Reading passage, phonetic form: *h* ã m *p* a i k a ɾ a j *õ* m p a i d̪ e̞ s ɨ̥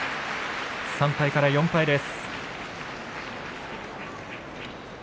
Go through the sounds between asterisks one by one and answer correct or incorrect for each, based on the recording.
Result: incorrect: s, correct, correct

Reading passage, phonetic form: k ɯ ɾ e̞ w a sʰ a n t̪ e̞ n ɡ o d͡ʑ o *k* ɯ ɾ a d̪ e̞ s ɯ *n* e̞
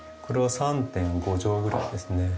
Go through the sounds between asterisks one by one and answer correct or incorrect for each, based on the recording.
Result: incorrect: ɡ, correct

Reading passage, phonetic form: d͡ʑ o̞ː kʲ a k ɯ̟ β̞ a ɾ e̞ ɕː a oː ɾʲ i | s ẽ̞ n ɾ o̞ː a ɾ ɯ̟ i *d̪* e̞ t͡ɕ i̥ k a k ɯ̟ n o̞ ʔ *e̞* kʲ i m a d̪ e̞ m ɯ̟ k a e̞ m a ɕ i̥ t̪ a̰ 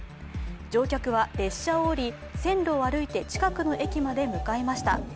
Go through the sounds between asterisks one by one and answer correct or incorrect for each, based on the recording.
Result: incorrect: t̪, correct

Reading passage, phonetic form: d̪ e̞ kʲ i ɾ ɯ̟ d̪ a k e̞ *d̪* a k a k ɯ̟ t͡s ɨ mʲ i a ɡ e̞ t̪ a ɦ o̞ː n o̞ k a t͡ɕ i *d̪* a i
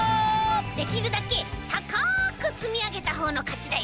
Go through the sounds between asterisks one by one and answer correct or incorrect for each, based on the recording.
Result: incorrect: t̪, correct

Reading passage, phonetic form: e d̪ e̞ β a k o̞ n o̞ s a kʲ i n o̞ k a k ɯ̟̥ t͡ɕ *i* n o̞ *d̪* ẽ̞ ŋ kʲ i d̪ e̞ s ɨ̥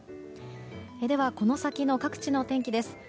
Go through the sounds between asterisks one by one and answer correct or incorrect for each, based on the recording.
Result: correct, incorrect: t̪

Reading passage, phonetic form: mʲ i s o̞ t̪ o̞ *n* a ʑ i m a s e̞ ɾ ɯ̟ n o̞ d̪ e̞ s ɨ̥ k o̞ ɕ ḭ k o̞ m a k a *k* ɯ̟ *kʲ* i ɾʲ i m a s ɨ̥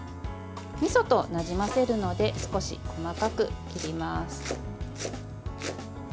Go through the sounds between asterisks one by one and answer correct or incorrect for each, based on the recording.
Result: correct, correct, correct

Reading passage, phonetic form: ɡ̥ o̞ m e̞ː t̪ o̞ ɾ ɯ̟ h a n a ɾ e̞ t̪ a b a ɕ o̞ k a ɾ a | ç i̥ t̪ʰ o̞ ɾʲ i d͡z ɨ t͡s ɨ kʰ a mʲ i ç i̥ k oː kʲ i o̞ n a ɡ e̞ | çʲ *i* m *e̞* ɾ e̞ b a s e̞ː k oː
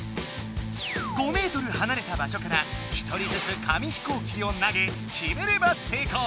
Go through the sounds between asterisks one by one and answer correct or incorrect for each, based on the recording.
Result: correct, correct

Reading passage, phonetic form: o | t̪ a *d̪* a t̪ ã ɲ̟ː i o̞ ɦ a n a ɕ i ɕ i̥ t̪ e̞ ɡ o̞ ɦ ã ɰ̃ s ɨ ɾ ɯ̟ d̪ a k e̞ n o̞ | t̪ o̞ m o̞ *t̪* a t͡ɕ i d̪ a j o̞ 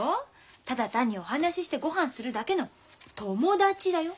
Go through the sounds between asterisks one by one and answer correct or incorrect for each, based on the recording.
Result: correct, incorrect: d̪

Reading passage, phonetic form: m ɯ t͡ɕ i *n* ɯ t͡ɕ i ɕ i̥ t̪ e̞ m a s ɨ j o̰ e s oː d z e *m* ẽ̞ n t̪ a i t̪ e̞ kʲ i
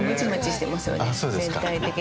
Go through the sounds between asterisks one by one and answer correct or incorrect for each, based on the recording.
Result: incorrect: m, incorrect: none

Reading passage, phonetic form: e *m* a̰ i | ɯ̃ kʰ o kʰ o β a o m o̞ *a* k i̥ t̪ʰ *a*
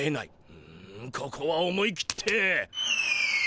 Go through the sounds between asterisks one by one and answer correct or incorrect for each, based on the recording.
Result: incorrect: n, incorrect: i, incorrect: e

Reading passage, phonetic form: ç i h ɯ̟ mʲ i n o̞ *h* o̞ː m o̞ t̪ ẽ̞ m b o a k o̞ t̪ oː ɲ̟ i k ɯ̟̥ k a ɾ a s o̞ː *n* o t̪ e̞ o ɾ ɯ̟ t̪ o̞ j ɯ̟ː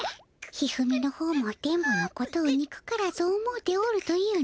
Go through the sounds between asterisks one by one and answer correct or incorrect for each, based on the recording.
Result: correct, incorrect: m

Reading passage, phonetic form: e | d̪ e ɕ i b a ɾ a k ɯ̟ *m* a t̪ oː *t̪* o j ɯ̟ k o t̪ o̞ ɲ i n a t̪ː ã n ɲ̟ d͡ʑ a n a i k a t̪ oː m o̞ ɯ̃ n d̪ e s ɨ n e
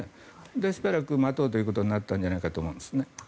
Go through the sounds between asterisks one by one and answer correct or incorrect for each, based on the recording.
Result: correct, correct

